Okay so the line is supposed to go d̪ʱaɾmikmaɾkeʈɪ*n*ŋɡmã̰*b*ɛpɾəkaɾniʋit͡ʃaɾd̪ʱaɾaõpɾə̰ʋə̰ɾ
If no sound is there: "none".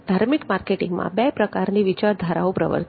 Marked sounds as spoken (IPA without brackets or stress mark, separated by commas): none, b